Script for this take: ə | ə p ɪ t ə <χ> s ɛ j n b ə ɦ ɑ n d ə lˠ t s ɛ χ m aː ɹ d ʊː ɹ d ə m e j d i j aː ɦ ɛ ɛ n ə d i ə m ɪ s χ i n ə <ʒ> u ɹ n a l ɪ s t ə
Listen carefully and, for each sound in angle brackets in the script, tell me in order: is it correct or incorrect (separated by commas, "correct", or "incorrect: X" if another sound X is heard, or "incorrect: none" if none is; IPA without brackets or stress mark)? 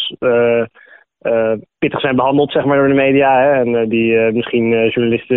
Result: correct, correct